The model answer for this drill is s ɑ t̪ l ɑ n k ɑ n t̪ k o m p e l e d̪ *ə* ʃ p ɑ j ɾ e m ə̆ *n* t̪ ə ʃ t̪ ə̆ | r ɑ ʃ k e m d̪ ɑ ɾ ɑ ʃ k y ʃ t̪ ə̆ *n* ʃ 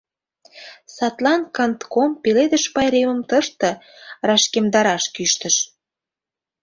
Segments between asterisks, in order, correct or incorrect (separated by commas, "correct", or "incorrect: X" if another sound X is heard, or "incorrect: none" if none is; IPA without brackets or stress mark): correct, incorrect: m, incorrect: none